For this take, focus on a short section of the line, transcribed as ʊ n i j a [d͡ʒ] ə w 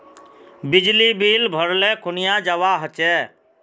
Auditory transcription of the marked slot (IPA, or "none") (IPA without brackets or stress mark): d͡ʒ